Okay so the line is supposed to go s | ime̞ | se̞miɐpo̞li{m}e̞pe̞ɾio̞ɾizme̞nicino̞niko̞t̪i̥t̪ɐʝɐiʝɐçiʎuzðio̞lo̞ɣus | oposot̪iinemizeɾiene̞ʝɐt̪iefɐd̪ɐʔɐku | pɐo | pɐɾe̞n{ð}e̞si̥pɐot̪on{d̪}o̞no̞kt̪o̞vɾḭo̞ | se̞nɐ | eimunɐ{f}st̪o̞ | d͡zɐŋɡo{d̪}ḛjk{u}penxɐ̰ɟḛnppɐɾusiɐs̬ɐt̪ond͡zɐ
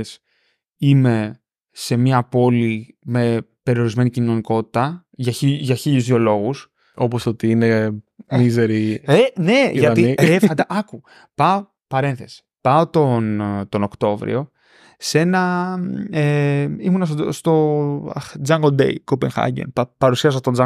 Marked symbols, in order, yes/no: yes, no, no, no, yes, no

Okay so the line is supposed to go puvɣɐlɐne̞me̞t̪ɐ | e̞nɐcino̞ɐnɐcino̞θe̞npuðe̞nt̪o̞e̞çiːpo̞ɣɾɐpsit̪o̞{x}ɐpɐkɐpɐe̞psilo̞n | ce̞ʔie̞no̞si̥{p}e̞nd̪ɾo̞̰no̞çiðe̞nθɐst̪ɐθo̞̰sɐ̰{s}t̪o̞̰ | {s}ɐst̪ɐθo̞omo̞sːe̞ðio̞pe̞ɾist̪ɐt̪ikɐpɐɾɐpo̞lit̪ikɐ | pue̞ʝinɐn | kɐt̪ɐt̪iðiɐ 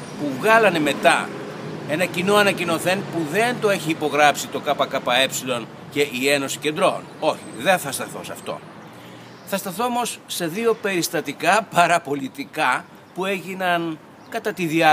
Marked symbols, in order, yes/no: no, no, no, no

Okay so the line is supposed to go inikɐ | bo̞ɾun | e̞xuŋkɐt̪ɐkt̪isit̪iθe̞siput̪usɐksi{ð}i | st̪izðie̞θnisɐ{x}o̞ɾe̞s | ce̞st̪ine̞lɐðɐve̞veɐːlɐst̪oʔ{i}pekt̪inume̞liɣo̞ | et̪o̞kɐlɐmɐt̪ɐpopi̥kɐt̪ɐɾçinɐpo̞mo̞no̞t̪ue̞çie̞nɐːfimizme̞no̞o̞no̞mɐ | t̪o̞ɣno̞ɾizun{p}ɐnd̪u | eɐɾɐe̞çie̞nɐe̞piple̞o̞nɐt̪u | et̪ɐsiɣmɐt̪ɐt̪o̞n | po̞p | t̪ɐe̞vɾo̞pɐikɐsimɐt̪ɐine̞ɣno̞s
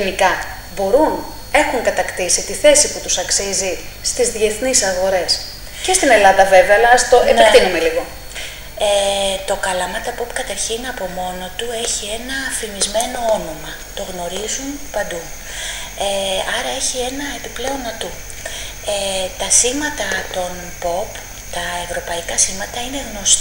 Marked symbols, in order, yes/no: no, no, no, yes

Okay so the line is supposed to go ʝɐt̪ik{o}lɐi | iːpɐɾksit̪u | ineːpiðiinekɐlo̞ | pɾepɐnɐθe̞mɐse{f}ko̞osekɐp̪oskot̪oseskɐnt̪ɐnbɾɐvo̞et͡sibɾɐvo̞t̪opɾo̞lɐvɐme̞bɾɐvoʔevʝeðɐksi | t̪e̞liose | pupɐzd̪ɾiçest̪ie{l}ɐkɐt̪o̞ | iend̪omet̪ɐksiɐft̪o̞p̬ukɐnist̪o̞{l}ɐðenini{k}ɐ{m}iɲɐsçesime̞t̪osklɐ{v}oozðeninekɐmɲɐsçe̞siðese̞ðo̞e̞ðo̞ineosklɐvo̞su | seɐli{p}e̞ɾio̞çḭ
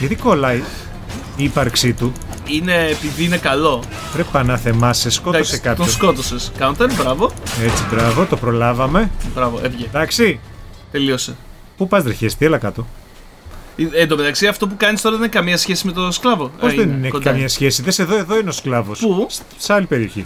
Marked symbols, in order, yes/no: yes, no, yes, no, yes, yes, yes, yes

